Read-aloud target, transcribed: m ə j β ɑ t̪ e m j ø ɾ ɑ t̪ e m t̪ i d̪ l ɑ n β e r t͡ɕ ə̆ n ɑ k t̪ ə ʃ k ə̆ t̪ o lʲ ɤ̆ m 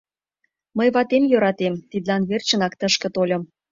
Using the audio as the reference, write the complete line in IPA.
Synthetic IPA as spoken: m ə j β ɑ t̪ e m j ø ɾ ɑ t̪ e m t̪ i d̪ l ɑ n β e r t͡ɕ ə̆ n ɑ k t̪ ə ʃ k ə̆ t̪ o lʲ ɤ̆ m